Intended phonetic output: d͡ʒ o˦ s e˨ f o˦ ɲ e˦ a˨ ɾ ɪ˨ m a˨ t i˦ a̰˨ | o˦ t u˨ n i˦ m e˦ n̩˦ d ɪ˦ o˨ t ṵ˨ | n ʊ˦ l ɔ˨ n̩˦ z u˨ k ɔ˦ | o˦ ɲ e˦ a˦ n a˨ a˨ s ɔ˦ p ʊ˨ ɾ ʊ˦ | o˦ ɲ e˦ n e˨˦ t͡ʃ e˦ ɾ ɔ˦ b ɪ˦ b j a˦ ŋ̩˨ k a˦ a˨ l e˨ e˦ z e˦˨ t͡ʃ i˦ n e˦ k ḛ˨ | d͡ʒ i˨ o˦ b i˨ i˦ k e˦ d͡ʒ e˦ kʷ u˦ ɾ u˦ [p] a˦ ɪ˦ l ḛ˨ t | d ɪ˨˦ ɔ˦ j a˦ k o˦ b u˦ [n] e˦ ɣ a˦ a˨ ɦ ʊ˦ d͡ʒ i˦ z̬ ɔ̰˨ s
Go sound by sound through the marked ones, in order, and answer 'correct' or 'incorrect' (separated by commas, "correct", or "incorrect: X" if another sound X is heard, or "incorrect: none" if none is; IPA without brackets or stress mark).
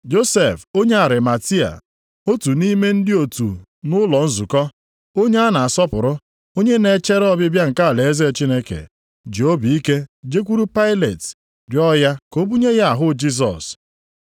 correct, incorrect: ɲ